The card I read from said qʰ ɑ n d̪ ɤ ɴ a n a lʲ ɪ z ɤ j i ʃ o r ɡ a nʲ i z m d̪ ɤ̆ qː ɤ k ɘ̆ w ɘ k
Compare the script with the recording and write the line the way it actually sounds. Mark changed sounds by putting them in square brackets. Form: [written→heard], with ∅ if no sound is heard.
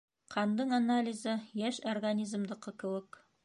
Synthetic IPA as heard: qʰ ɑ n d̪ ɤ ɴ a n a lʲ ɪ z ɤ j [i→æ] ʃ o r ɡ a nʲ i z m d̪ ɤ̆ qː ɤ k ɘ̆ w ɘ k